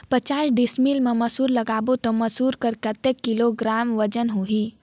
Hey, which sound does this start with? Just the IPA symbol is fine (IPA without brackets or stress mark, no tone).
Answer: p